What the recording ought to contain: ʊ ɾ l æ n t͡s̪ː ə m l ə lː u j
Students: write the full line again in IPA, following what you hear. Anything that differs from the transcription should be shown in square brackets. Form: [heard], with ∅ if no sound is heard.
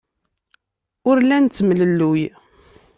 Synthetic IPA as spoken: ʊ ɾ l æ n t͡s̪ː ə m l ə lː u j